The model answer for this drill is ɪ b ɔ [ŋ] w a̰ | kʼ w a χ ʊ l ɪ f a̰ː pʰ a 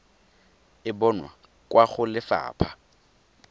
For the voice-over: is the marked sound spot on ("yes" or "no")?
no